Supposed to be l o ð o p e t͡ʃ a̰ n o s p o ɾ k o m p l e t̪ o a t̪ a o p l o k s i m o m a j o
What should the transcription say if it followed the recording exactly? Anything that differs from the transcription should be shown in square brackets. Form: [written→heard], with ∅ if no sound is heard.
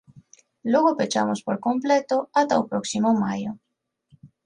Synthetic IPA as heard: l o [ð→ɣ] o p e t͡ʃ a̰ [n→m] o s p o ɾ k o m p l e t̪ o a t̪ a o p [l→ɾ] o k s i m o m a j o